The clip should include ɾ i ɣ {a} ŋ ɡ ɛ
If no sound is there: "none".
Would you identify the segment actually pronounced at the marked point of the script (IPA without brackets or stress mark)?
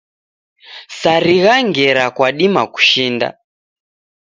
a